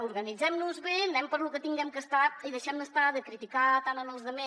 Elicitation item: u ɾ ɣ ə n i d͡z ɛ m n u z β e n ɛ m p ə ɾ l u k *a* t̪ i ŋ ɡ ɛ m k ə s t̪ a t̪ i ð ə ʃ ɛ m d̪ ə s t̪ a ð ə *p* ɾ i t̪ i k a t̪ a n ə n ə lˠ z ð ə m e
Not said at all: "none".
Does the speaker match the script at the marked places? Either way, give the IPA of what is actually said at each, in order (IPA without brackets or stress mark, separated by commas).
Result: ə, k